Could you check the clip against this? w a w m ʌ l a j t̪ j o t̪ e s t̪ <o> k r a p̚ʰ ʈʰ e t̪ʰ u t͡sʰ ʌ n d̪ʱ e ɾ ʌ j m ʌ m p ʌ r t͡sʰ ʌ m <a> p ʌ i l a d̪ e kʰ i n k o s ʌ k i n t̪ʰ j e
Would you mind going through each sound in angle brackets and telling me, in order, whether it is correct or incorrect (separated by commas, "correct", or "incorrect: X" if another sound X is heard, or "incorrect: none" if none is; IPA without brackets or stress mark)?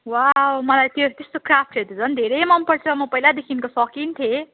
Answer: correct, incorrect: ʌ